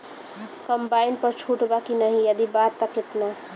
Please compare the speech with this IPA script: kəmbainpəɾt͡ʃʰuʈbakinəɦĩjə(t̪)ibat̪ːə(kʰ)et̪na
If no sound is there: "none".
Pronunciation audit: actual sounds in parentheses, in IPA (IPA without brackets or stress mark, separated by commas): d̪, k